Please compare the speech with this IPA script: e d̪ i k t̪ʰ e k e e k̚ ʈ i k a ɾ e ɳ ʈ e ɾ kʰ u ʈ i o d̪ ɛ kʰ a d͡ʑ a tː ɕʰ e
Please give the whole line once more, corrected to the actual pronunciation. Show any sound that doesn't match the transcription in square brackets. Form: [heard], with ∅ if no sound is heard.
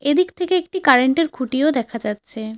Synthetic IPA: e d̪ i k t̪ʰ e k e e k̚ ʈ i k a ɾ e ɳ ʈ e ɾ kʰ u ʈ i o d̪ ɛ kʰ a d͡ʑ a tː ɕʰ e